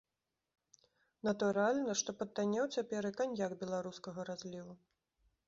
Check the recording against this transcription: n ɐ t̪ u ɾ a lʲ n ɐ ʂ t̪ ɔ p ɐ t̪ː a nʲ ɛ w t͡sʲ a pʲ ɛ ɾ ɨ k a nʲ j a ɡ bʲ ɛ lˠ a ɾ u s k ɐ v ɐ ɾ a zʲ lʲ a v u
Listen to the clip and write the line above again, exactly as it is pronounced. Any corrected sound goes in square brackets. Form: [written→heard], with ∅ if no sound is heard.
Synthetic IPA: n ɐ t̪ u ɾ a lʲ n ɐ ʂ t̪ ɔ p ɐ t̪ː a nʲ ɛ w t͡sʲ a pʲ ɛ ɾ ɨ k a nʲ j a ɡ bʲ ɛ lˠ a ɾ u s k ɐ [v→ɣ] ɐ ɾ a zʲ lʲ [a→i] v u